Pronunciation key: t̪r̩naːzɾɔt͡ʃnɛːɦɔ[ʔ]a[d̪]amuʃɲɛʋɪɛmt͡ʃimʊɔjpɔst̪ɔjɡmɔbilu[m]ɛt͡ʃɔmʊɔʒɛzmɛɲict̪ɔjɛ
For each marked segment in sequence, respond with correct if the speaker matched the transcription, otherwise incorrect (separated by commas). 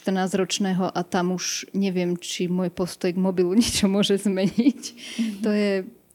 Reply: correct, incorrect, incorrect